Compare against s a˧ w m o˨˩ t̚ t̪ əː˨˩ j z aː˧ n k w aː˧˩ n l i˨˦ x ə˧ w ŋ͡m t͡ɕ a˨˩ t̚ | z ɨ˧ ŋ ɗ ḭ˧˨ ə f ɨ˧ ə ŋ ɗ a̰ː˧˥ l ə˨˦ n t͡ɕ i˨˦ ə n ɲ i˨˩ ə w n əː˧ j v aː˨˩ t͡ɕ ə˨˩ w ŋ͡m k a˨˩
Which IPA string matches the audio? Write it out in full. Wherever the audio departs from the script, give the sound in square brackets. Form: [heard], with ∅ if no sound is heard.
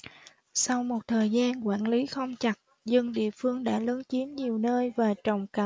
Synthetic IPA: s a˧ w m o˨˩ t̚ [t̪ʰ] əː˨˩ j z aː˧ n k w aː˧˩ n l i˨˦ x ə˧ w ŋ͡m t͡ɕ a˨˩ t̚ | z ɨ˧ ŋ ɗ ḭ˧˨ ə f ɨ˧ ə ŋ ɗ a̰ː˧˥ l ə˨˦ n t͡ɕ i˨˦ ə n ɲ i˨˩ ə w n əː˧ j v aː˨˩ t͡ɕ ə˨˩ w ŋ͡m k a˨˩